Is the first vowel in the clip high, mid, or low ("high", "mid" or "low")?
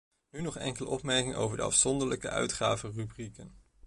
high